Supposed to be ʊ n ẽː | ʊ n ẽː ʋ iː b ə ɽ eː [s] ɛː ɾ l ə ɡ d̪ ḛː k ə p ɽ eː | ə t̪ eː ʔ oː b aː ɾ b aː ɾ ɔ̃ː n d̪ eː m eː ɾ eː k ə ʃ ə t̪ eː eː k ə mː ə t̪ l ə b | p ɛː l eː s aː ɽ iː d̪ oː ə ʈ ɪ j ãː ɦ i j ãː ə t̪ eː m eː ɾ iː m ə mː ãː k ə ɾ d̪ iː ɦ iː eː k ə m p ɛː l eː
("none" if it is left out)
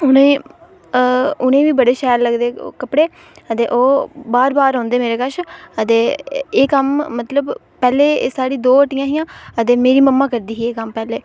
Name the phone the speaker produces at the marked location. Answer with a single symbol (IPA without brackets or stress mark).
ʃ